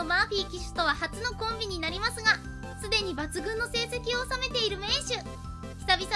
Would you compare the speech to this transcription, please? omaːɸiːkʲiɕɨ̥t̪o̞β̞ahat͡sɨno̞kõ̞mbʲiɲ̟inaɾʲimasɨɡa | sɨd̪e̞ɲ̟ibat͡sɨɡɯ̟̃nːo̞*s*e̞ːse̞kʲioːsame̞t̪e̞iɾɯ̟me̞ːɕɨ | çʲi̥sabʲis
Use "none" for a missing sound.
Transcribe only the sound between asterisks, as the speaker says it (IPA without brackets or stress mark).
s